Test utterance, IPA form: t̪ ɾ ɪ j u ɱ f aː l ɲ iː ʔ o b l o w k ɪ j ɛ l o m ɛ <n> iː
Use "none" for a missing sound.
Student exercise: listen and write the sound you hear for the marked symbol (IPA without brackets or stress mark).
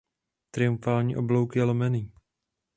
n